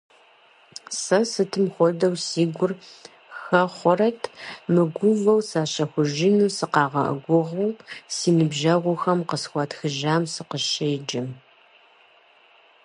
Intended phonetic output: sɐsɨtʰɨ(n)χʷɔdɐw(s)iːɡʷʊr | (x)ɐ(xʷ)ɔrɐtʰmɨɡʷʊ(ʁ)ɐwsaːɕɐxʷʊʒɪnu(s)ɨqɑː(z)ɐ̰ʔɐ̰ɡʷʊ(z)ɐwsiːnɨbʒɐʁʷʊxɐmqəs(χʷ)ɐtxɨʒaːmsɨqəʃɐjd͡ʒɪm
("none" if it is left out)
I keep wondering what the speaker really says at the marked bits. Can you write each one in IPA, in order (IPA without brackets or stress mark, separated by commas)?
m, s, x, χʷ, v, s, ʁ, ʁ, xʷ